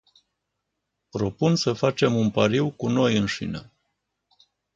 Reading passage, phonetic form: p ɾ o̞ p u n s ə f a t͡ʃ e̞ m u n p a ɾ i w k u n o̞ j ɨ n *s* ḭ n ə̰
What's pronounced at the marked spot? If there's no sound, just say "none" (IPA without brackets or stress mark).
ʃ